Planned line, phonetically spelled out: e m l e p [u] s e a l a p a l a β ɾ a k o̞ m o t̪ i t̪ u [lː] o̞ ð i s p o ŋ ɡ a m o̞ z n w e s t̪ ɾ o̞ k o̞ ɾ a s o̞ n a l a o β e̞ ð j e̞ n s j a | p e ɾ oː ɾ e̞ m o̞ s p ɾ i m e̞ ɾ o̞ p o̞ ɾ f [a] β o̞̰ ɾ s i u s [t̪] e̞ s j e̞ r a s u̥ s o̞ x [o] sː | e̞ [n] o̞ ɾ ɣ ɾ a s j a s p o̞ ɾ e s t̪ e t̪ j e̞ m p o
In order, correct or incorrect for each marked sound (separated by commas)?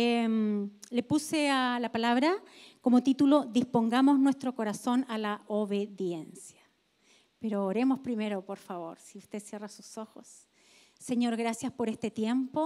correct, incorrect, correct, correct, correct, incorrect